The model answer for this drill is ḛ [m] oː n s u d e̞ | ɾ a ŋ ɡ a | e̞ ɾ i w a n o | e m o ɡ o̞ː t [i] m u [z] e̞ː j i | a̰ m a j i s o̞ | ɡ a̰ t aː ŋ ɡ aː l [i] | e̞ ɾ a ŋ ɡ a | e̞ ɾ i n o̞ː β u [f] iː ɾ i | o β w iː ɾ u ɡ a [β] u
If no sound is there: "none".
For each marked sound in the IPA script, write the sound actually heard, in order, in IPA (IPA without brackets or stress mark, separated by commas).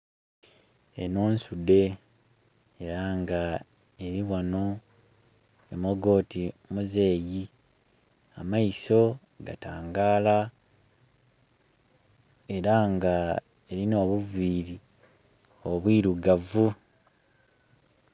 n, i, z, a, v, v